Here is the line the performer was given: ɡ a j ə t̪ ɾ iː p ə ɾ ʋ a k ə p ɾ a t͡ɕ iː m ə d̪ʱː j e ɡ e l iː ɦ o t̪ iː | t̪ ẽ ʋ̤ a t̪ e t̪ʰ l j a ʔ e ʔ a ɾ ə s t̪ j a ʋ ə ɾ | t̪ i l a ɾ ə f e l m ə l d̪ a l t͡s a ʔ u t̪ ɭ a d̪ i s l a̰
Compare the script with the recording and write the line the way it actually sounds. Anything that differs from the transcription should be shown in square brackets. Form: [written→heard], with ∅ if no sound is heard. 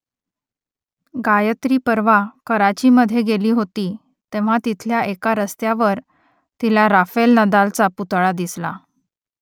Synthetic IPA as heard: ɡ a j ə t̪ ɾ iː p ə ɾ ʋ a k ə [p→∅] ɾ a t͡ɕ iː m ə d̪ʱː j e ɡ e l iː ɦ o t̪ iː | t̪ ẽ ʋ̤ a t̪ [e→i] t̪ʰ l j a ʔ e [ʔ→k] a ɾ ə s t̪ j a ʋ ə ɾ | t̪ i l a ɾ [ə→a] f e l [m→n] ə [l→∅] d̪ a l t͡s a [ʔ→p] u t̪ ɭ a d̪ i s l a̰